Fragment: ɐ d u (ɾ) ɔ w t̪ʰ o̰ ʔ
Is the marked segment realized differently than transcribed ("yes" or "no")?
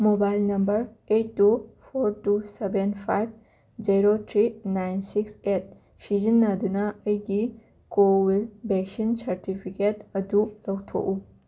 yes